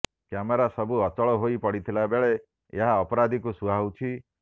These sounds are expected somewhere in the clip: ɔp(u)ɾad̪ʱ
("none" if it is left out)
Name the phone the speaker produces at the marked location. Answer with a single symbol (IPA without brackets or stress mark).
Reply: ɔ